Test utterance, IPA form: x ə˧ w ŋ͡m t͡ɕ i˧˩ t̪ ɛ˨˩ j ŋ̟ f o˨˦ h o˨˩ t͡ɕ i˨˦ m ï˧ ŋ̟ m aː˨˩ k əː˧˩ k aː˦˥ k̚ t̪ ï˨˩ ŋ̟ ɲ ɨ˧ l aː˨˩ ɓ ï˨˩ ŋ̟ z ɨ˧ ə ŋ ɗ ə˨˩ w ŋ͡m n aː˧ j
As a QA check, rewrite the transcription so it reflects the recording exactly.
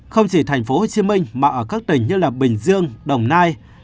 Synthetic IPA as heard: x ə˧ w ŋ͡m t͡ɕ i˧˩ t̪ʰ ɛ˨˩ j ŋ̟ f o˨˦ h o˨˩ t͡ɕ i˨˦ m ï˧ ŋ̟ m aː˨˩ ʔ əː˧˩ k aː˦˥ k̚ t̪ ï˨˩ ŋ̟ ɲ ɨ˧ l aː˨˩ ɓ ï˨˩ ŋ̟ z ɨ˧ ə ŋ ɗ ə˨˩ w ŋ͡m n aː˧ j